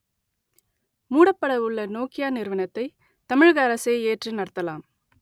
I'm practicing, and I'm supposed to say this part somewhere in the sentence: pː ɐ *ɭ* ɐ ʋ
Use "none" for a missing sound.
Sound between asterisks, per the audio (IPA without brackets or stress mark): ɽ